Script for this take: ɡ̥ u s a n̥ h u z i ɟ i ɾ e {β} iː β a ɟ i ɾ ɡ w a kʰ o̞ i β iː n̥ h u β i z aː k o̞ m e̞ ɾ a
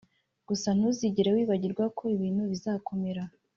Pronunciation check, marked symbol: incorrect: w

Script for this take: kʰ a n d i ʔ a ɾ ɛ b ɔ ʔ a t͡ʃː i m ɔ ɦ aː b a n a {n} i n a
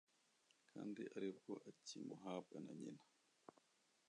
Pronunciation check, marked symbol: incorrect: ɲ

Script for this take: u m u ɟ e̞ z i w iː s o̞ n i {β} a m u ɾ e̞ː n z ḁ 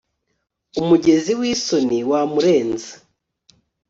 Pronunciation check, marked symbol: incorrect: w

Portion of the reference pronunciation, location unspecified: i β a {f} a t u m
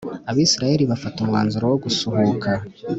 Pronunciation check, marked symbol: correct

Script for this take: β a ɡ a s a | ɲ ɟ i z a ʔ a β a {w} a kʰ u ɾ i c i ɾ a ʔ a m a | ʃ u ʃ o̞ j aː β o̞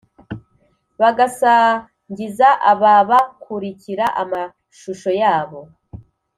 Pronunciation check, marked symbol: incorrect: β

